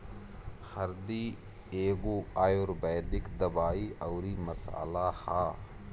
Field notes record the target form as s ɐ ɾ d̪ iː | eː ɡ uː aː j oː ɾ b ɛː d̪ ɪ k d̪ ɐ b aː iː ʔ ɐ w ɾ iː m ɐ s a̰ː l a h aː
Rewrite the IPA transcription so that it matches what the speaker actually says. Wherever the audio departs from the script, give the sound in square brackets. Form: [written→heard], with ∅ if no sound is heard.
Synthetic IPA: [s→h] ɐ ɾ d̪ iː | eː ɡ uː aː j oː ɾ b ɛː d̪ ɪ k d̪ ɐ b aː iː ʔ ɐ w ɾ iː m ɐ s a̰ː l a h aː